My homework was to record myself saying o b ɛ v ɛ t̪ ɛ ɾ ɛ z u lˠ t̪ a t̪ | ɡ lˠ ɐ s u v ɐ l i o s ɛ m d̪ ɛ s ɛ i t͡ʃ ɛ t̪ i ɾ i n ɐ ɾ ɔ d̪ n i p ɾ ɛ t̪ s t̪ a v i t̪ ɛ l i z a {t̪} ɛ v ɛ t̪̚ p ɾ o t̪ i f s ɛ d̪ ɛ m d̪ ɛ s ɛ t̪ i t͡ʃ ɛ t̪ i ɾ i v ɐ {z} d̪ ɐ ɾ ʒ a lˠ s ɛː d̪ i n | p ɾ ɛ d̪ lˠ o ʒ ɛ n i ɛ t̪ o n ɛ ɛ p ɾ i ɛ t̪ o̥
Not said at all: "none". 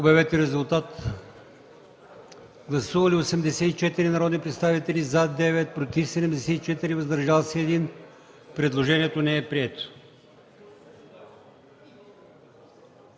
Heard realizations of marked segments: d̪, z

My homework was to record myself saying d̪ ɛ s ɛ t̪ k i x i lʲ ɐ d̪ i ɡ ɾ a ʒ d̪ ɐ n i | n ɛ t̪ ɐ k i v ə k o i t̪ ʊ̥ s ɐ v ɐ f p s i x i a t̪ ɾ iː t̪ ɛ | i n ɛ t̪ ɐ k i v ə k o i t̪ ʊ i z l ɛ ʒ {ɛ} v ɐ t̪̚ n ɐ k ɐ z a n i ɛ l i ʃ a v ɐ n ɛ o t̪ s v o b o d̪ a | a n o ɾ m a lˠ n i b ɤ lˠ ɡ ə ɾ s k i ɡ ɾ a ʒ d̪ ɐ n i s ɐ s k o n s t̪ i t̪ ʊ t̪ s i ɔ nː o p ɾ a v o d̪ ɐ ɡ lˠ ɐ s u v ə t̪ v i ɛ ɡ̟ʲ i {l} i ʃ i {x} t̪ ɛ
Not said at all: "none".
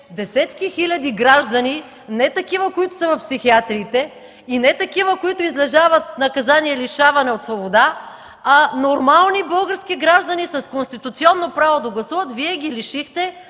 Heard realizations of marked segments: a, l, x

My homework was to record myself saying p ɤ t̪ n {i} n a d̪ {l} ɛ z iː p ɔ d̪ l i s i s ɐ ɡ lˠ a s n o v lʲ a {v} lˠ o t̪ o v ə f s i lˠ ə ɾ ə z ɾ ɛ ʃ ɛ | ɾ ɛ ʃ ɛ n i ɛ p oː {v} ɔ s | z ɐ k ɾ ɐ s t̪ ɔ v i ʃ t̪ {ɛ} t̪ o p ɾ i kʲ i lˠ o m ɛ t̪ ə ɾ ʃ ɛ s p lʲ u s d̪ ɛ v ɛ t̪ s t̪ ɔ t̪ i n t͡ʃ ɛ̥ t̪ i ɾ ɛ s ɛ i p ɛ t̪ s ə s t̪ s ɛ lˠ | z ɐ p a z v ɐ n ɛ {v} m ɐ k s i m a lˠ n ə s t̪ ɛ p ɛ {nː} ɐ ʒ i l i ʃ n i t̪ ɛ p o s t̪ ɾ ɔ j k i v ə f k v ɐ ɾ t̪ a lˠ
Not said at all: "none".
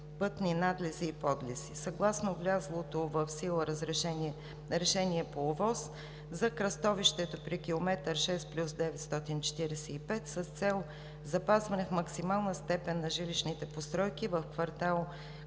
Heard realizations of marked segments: i, l, z, v, ɛ, f, nː

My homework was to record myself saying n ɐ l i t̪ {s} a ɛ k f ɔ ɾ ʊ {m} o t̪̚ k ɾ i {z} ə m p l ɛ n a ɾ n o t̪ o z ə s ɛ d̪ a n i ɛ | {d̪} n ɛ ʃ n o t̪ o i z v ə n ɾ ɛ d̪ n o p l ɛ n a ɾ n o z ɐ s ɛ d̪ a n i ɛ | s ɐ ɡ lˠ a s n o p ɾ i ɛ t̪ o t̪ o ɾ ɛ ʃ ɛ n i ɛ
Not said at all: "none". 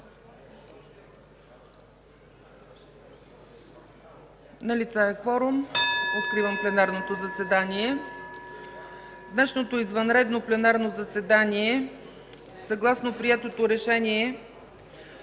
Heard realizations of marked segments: s, m, v, d̪

